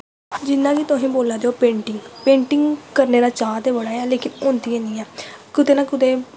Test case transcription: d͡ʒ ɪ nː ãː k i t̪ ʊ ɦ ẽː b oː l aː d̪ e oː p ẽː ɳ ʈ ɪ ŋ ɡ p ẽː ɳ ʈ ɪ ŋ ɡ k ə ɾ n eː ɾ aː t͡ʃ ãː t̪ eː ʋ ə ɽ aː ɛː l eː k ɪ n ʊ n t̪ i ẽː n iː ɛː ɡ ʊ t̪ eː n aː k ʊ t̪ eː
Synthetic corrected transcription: d͡ʒ ɪ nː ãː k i t̪ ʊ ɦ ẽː b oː l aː d̪ e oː p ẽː ɳ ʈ ɪ ŋ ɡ p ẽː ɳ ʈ ɪ ŋ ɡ k ə ɾ n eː ɾ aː t͡ʃ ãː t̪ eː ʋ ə ɽ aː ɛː l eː k ɪ n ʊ n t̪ i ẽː n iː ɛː k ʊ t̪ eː n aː k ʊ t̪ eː